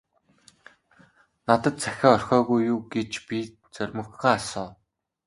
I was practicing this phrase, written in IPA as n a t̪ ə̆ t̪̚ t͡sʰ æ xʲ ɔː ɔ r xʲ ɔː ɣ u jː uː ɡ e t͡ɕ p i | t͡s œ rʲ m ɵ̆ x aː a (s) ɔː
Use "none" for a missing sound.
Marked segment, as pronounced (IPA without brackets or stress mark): s